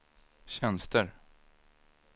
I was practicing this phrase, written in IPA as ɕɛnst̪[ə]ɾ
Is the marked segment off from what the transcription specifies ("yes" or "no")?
no